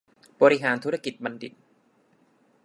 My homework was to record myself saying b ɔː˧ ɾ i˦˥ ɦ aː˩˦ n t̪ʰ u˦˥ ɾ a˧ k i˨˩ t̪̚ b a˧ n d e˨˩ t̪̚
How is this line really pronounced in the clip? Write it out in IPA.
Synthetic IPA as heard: b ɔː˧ ɾ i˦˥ ɦ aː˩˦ n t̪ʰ u˦˥ ɾ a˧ k i˨˩ t̪̚ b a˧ n d i˨˩ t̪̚